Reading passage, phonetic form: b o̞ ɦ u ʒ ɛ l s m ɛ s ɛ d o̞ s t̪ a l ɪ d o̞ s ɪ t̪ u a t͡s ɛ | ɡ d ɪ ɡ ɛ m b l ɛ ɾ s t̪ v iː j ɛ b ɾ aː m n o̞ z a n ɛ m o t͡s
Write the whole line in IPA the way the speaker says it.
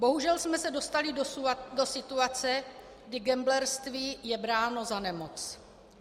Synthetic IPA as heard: b o̞ ɦ u ʒ ɛ l s m ɛ s ɛ d o̞ s t̪ a l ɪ d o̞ s ɪ t̪ u a t͡s ɛ | ɡ d ɪ ɡ ɛ m b l ɛ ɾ s t̪ v iː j ɛ b ɾ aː n o̞ z a n ɛ m o t͡s